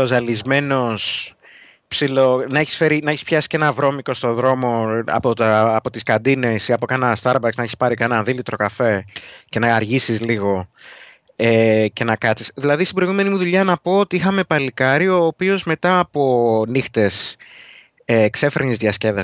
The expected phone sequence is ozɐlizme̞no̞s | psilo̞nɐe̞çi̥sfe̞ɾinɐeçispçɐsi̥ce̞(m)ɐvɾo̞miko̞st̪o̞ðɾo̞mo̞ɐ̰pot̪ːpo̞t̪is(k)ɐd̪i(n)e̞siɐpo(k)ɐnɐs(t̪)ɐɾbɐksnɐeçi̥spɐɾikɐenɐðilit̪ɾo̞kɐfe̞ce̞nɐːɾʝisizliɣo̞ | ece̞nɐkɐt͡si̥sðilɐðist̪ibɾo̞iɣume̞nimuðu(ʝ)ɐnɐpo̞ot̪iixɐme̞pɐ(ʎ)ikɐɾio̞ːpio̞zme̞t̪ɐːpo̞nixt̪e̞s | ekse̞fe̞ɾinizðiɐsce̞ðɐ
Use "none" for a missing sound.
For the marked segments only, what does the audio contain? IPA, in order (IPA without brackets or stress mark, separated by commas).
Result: n, k, n, k, t̪, ʎ, l